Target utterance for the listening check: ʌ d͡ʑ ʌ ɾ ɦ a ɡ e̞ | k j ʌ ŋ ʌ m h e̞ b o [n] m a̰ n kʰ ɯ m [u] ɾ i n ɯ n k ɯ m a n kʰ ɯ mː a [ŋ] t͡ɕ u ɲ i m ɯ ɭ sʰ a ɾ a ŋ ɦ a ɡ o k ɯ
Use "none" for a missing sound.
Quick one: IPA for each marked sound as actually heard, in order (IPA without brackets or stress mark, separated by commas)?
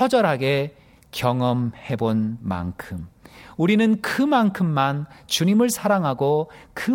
n, u, n